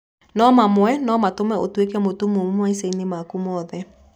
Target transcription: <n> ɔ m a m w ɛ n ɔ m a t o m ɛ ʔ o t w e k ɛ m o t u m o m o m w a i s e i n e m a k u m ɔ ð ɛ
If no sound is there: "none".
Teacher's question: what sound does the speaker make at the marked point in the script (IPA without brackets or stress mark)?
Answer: n